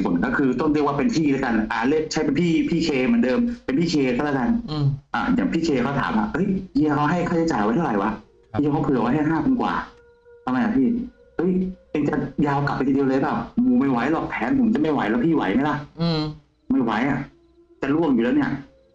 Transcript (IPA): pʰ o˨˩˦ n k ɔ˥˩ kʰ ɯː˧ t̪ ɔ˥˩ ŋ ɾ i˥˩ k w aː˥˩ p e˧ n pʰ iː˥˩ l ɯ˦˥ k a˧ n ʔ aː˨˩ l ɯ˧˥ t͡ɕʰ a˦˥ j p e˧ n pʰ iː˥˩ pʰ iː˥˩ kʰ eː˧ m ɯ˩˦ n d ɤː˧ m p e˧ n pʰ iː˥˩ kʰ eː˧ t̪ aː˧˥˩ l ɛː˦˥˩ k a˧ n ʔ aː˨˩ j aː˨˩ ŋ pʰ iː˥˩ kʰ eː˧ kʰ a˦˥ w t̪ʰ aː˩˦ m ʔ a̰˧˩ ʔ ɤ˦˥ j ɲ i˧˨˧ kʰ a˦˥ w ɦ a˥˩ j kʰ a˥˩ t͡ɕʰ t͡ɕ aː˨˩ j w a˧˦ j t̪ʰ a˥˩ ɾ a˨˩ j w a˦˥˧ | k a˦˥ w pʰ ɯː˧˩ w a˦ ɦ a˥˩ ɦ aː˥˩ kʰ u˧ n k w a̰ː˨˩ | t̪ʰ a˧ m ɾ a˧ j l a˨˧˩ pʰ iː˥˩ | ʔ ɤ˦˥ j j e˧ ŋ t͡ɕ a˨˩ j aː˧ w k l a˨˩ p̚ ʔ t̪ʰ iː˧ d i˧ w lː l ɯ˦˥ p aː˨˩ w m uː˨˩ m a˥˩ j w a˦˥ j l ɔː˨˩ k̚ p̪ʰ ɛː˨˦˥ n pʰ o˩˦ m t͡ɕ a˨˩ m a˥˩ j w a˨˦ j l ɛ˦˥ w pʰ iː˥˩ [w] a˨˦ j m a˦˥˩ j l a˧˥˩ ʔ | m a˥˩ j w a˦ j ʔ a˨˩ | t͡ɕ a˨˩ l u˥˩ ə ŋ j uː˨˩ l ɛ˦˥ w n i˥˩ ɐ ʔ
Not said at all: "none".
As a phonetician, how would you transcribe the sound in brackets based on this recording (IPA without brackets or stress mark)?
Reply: w